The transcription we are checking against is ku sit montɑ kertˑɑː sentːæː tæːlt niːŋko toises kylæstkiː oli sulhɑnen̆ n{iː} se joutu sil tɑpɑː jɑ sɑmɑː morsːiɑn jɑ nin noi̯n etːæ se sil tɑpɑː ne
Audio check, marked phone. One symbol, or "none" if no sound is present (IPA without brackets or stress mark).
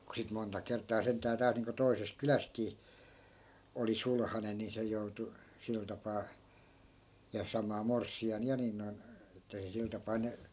i